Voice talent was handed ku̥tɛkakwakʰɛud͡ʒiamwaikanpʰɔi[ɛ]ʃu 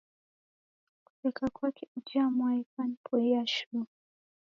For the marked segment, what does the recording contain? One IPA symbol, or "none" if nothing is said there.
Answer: a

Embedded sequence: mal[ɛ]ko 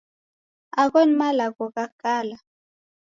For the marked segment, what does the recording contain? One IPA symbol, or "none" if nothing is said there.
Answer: a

